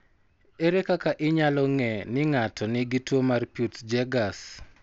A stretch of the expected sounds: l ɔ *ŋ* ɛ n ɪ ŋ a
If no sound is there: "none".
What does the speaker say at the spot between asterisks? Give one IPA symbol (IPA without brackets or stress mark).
ŋ